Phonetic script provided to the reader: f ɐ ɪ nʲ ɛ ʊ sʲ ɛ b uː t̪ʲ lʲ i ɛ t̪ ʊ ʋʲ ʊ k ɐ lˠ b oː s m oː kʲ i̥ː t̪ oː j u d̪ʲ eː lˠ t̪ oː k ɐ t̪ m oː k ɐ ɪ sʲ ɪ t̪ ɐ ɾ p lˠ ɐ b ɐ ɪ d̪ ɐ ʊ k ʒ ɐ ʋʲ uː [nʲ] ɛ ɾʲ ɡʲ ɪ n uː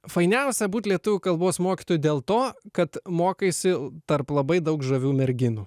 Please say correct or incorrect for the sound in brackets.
incorrect